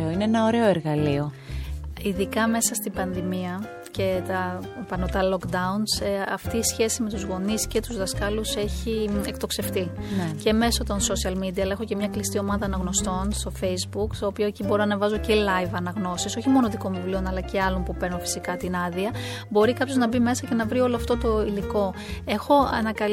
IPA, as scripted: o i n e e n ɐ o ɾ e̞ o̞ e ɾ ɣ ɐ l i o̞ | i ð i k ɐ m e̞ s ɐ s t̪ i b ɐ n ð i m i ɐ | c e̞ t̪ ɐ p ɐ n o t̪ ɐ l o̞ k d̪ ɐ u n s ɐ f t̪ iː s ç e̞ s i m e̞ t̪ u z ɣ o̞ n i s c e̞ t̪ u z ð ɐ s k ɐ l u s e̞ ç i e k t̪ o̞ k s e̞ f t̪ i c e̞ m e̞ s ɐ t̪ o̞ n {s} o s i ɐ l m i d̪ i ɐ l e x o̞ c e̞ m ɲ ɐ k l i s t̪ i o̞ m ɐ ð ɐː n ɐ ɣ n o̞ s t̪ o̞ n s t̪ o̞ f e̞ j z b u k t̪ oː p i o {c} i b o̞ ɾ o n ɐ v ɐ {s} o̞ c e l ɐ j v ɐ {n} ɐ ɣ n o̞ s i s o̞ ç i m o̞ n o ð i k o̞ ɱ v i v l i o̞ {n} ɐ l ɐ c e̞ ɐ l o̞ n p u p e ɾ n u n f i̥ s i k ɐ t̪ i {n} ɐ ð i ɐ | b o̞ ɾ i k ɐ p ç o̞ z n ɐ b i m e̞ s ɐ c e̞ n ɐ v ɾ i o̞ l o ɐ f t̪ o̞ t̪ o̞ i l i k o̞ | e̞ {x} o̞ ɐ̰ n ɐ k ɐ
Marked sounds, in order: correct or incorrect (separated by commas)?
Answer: correct, correct, incorrect, correct, correct, correct, correct